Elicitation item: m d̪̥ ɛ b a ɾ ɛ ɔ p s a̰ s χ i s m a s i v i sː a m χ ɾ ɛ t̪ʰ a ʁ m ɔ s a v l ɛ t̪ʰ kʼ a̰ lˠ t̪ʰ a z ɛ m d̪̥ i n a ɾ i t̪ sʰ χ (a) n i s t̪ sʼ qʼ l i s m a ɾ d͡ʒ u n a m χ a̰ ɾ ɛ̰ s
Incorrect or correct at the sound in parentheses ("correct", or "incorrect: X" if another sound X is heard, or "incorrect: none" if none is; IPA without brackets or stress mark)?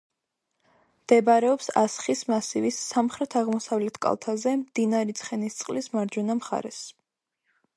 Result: incorrect: ɛ